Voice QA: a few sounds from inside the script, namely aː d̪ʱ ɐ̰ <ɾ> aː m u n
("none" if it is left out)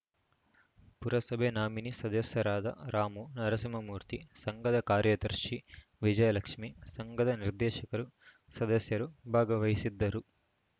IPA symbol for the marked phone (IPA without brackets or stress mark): ɾ